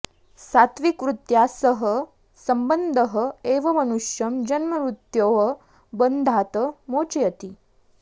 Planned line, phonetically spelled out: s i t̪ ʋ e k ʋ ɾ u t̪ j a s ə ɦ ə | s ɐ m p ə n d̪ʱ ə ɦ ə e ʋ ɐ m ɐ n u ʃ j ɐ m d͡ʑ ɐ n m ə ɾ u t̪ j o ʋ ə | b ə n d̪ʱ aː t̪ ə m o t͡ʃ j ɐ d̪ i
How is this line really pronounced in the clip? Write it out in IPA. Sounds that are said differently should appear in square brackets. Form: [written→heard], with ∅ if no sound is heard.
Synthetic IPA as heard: s [i→a] t̪ ʋ [e→i] k ʋ ɾ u t̪ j a s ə ɦ ə | s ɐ m [p→b] ə n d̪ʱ ə ɦ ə e ʋ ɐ m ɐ n u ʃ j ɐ m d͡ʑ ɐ n m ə ɾ u t̪ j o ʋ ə | b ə n d̪ʱ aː t̪ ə m o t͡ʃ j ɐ [d̪→t̪] i